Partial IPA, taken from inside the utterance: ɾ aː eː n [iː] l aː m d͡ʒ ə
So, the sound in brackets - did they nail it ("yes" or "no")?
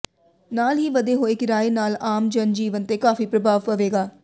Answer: no